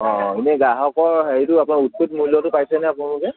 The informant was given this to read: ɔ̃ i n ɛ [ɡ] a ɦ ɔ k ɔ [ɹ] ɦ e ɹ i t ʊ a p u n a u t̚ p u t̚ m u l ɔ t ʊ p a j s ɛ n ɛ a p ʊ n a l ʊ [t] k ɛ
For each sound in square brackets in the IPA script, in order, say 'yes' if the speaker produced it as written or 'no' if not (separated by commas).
yes, yes, no